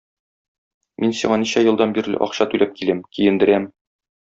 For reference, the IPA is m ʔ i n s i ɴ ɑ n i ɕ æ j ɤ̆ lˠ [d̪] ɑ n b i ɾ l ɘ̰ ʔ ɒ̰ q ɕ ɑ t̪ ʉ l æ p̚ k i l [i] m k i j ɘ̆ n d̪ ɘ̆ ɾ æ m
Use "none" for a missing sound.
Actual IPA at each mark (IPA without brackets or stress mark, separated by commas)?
d̪, æ